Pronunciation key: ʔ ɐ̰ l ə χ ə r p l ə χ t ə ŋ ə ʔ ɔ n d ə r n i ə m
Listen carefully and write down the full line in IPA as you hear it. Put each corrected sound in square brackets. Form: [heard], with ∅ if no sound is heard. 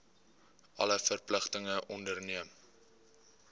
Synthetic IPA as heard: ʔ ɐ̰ l ə [f] ə r p l ə χ t ə ŋ ə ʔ ɔ n d ə r n i ə m